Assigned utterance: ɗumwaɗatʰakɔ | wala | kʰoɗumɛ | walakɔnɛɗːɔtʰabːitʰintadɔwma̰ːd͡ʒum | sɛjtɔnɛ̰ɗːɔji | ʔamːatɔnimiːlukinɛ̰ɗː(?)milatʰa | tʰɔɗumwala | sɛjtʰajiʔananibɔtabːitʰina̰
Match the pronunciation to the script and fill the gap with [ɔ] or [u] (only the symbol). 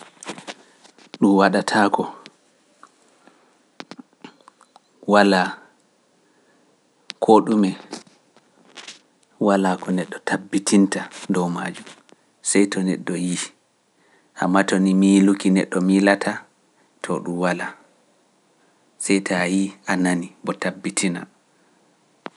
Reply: ɔ